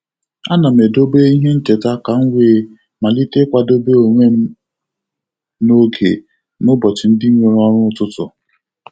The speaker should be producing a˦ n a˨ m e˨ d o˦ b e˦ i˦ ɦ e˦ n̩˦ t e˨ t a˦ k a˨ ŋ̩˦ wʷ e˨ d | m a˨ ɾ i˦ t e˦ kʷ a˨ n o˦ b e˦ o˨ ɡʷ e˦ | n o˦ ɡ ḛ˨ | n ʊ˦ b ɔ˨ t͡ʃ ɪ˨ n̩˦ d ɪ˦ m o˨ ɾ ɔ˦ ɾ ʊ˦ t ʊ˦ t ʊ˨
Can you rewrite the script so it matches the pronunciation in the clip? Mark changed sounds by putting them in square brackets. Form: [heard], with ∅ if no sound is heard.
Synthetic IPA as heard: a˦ n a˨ m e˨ d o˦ b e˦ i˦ ɦ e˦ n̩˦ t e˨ t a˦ k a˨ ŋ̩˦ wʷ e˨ [∅] | m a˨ [l] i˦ t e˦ kʷ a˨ [d] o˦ b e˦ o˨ [ŋʷ] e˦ | n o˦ ɡ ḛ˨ | n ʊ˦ b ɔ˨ t͡ʃ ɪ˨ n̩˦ d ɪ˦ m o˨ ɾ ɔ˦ ɾ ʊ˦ t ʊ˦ t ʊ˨